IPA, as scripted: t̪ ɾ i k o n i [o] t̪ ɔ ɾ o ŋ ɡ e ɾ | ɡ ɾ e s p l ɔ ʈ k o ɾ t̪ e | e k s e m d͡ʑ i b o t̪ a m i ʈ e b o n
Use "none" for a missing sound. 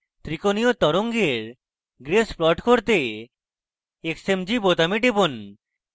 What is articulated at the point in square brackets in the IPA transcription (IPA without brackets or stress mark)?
o